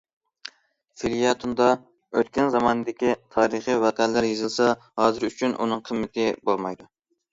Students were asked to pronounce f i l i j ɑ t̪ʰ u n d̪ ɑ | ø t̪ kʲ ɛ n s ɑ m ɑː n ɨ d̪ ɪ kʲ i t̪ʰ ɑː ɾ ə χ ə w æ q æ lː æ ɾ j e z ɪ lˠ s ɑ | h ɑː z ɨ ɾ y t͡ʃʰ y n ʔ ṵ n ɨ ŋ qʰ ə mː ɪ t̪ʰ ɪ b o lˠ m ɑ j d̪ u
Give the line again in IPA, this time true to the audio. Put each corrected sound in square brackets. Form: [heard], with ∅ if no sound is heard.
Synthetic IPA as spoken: f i l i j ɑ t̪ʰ u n d̪ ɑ | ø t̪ kʲ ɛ n [z] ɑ m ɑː n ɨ d̪ ɪ kʲ i t̪ʰ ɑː ɾ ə χ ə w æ q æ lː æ ɾ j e z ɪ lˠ s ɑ | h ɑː z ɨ ɾ y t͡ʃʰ y n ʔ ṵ n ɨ ŋ qʰ ə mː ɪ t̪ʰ ɪ b o lˠ m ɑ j d̪ u